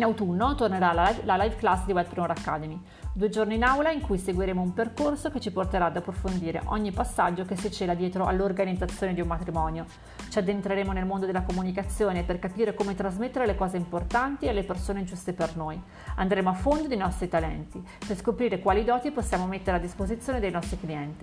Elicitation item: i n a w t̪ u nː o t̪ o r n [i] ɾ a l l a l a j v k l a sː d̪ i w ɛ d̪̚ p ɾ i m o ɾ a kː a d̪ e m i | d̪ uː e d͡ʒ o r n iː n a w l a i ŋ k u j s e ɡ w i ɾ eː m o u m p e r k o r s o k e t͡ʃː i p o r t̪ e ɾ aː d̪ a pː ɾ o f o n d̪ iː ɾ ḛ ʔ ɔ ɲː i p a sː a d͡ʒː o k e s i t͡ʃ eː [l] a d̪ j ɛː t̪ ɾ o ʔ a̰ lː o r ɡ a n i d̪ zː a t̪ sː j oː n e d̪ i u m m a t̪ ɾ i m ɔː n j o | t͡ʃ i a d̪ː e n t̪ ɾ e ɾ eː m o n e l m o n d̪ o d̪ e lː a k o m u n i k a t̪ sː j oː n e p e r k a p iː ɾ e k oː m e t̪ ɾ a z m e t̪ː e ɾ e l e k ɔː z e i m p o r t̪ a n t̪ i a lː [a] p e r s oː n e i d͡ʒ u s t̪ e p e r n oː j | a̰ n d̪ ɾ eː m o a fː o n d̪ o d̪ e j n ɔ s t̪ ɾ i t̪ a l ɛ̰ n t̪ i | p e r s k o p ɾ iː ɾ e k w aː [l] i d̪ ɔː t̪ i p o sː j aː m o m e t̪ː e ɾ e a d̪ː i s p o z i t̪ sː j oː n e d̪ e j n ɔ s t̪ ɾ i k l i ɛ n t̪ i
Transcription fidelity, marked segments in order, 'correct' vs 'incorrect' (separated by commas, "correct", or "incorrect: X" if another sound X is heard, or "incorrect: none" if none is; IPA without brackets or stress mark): incorrect: e, correct, incorrect: e, correct